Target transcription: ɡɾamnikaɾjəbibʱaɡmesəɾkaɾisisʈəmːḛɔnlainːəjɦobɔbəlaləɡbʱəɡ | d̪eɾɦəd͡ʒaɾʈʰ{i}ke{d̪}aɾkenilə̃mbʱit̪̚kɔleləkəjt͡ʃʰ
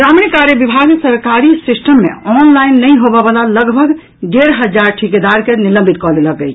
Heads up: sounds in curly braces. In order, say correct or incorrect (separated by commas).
correct, correct